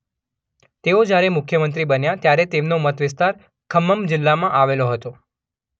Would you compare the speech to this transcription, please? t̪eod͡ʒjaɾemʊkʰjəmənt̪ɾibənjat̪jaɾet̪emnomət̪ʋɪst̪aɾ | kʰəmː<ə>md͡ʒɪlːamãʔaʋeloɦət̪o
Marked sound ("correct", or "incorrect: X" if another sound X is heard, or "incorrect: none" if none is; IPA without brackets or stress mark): correct